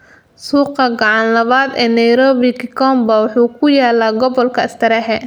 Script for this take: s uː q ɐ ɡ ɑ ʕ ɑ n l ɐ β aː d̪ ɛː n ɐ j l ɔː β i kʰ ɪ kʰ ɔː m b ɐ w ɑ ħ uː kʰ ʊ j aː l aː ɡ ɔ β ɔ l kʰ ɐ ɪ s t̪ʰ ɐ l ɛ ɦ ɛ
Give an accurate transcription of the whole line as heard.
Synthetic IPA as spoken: s uː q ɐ ɡ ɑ ʕ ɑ n l ɐ β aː d̪ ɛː n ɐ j ɾ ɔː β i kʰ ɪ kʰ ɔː m b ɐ w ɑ ħ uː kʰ ʊ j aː l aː ɡ ɔ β ɔ l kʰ ɐ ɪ s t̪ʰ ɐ ɾ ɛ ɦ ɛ